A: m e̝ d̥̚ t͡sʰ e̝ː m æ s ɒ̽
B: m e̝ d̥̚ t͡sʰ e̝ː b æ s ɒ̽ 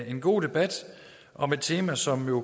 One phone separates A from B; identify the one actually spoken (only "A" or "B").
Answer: A